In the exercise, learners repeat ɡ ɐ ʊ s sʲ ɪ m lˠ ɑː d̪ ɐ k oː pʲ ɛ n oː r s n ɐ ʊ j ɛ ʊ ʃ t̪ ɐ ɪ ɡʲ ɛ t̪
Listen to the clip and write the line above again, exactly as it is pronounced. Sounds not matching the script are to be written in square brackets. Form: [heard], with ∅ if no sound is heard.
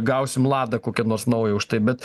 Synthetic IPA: ɡ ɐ ʊ s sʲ ɪ m lˠ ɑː d̪ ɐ k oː [kʲ] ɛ n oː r s n ɐ ʊ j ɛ ʊ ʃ t̪ ɐ ɪ [bʲ] ɛ t̪